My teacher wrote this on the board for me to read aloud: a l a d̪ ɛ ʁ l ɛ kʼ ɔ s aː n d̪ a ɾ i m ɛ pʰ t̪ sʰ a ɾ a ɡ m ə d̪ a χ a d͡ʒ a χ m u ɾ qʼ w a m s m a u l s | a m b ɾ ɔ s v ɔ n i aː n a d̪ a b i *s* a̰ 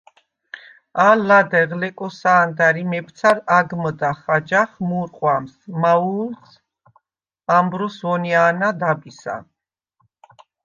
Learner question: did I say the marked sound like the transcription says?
yes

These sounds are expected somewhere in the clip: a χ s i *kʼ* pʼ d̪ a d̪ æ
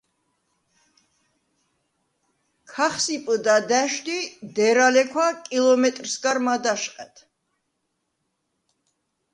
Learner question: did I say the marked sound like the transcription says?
no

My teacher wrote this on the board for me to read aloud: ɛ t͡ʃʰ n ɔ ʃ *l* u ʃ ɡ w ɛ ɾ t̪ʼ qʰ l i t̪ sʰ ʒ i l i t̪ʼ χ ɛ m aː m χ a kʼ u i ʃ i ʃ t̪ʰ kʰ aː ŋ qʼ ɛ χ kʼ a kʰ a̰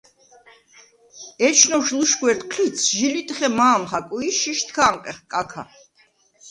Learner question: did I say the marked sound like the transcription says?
yes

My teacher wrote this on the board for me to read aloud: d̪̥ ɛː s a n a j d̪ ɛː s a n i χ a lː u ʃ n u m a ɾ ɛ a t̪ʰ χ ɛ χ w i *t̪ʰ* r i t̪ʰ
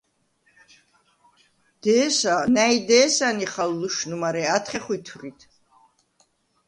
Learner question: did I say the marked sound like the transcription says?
yes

